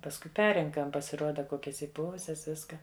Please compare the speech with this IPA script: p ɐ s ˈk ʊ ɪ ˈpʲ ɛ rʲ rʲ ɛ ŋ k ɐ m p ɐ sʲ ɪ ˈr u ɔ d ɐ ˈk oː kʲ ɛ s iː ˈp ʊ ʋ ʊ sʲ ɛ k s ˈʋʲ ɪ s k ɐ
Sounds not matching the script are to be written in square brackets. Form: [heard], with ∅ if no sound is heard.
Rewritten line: p ɐ s ˈk ʊ ɪ ˈpʲ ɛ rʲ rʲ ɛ ŋ k ɐ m p ɐ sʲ ɪ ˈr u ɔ d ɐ ˈk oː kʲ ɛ s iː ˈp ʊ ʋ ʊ sʲ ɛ [∅] s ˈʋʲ ɪ s k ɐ